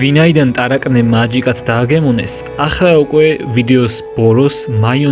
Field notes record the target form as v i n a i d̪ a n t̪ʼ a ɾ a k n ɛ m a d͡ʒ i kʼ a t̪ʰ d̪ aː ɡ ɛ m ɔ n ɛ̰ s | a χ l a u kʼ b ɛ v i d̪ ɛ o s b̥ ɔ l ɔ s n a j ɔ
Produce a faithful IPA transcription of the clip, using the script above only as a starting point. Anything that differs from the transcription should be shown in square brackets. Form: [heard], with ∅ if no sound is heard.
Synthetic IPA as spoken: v i n a i d̪ a n t̪ʼ a ɾ a [kʼ] n ɛ m a d͡ʒ i kʼ a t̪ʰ d̪ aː ɡ ɛ m ɔ n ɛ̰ s | a χ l a u kʼ [w] ɛ v i d̪ ɛ [ɔ] s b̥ ɔ [ɾ] ɔ s [m] a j ɔ